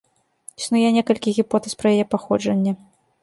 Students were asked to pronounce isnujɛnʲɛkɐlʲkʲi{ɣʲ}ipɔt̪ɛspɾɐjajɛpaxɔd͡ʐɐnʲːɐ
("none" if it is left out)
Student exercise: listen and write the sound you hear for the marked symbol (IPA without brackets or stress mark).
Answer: ɣʲ